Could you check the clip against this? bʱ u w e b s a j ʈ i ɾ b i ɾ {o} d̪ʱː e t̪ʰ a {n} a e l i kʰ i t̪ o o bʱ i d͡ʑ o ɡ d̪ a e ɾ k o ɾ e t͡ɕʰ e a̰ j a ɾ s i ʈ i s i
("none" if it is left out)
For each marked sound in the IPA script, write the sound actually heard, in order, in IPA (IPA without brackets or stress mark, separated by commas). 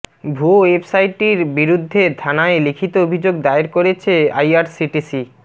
u, n